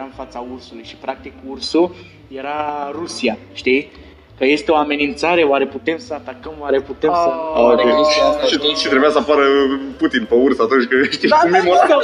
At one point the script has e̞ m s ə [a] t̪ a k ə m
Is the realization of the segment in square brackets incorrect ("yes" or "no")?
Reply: no